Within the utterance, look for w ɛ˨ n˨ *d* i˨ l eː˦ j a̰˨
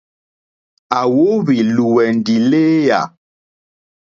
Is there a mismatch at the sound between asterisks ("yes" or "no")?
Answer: no